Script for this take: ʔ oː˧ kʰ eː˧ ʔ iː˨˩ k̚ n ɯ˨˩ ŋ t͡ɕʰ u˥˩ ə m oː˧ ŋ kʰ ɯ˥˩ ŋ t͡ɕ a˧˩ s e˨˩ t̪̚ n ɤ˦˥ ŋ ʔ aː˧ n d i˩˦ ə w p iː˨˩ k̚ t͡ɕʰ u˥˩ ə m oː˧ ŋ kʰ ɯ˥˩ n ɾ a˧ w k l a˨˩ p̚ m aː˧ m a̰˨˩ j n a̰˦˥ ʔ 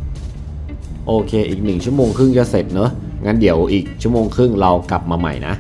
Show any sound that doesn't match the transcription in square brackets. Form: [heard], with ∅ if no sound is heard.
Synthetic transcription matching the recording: ʔ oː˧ kʰ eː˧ ʔ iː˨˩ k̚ n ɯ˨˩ ŋ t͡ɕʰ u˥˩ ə m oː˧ ŋ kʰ ɯ˥˩ ŋ t͡ɕ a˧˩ s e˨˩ t̪̚ n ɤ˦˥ ŋ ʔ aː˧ n d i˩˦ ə w [ʔ] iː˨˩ k̚ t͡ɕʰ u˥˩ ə m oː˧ ŋ kʰ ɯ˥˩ [ŋ] ɾ a˧ w k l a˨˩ p̚ m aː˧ m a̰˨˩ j n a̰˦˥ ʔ

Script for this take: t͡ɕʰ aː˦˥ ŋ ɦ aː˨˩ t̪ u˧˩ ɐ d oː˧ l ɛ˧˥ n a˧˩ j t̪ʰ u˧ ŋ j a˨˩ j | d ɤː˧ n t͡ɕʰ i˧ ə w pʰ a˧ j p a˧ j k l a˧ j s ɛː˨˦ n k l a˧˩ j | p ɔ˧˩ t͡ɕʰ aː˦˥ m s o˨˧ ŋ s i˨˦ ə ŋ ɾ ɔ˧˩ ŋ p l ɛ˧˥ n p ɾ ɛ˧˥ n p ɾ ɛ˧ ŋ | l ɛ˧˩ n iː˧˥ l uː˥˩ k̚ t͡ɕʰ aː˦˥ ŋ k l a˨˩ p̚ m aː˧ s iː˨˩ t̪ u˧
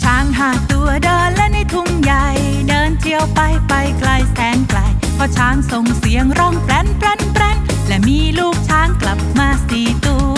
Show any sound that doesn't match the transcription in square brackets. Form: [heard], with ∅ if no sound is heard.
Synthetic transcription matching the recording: t͡ɕʰ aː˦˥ ŋ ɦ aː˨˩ t̪ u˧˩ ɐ d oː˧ l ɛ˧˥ n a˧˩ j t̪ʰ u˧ ŋ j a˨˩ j | d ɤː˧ n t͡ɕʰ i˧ ə w [p] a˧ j p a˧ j k l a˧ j s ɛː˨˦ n k l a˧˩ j | [pʰ] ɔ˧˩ t͡ɕʰ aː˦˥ [ŋ] s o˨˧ ŋ s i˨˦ ə ŋ ɾ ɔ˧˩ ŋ p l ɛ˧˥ n p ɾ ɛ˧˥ n p ɾ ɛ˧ ŋ | l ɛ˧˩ [m] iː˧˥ l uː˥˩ k̚ t͡ɕʰ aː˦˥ ŋ k l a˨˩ p̚ m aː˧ s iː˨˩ t̪ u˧

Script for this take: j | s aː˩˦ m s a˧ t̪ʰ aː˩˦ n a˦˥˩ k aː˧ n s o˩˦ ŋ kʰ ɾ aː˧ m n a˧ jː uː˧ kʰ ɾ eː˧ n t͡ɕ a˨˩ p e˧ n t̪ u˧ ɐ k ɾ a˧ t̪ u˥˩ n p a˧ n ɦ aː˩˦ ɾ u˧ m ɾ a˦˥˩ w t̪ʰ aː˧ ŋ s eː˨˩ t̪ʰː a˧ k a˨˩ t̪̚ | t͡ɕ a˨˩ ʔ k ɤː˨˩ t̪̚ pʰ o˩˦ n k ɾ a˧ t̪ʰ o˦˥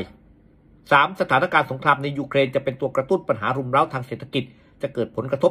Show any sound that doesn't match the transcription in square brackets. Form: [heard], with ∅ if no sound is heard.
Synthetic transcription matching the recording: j | s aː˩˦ m s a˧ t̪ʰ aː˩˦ n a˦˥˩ k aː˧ n s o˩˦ ŋ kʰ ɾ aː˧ m n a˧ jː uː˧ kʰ ɾ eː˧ n t͡ɕ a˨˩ p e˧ n t̪ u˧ ɐ k ɾ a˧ t̪ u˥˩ n p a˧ n ɦ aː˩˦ ɾ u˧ m ɾ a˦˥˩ w t̪ʰ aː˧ ŋ s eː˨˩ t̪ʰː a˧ k [i˨˩] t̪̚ | t͡ɕ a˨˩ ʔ k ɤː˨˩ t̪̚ pʰ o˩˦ n k ɾ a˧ t̪ʰ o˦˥

